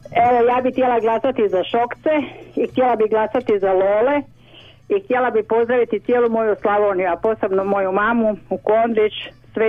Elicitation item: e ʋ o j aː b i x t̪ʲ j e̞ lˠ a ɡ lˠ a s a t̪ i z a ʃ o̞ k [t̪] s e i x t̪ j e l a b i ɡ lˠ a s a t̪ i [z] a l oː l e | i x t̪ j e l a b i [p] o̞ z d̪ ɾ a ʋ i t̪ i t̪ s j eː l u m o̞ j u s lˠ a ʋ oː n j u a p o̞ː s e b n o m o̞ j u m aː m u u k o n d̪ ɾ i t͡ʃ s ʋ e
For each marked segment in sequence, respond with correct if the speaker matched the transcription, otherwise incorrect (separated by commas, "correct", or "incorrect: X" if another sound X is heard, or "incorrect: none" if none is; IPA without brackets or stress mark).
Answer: correct, correct, correct